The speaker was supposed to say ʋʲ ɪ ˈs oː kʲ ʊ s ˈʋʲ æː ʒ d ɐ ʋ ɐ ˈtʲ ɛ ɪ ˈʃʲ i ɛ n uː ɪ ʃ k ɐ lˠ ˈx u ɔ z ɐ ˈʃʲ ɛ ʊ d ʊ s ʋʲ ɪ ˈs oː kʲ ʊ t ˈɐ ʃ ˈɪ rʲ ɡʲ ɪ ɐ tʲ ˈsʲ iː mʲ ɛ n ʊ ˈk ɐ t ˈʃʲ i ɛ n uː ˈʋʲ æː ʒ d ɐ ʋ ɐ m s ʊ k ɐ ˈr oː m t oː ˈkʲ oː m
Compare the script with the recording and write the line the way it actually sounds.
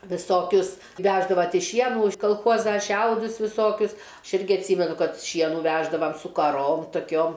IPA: ʋʲ ɪ ˈs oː kʲ ʊ s ˈʋʲ æː ʒ d ɐ ʋ ɐ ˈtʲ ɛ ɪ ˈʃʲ i ɛ n uː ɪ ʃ k ɐ lˠ ˈx u ɔ z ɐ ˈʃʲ ɛ ʊ d ʊ s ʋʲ ɪ ˈs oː kʲ ʊ s ˈɐ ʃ ˈɪ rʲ ɡʲ ɪ ɐ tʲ ˈsʲ iː mʲ ɛ n ʊ ˈk ɐ t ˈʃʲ i ɛ n uː ˈʋʲ æː ʒ d ɐ ʋ ɐ m s ʊ k ɐ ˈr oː m t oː ˈkʲ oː m